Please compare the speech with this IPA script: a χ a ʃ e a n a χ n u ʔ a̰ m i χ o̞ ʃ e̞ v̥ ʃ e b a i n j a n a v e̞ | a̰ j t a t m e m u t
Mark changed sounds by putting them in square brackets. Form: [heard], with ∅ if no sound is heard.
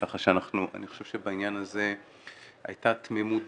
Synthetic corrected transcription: a χ a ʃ e a n a χ n u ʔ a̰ [n] i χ o̞ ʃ e̞ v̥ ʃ e b a i n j a n a [z] e̞ | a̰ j t a t m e m u t